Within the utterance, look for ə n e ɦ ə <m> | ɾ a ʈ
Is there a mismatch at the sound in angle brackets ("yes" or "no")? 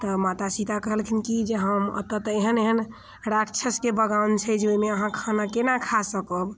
yes